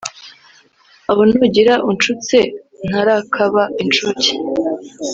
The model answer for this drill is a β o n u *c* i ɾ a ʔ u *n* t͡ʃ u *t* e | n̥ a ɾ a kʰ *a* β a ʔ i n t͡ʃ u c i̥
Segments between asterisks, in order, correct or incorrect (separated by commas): incorrect, correct, incorrect, correct